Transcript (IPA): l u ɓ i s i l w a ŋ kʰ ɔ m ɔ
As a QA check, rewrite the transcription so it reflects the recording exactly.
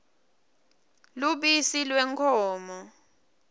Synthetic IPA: l u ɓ i s i l w ɛ ŋ kʰ ɔː m ɔ